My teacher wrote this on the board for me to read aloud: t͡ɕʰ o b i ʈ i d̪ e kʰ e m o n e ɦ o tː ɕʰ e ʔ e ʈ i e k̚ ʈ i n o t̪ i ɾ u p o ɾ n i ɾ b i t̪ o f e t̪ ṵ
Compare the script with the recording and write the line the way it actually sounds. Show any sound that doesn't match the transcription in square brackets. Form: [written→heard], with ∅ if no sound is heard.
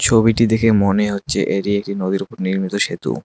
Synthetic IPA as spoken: t͡ɕʰ o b i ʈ i d̪ e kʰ e m o n e ɦ o tː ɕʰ e ʔ e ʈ i e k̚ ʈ i n o [t̪→d̪] i ɾ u p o ɾ n i ɾ [b→m] i t̪ o [f→ʃ] e t̪ ṵ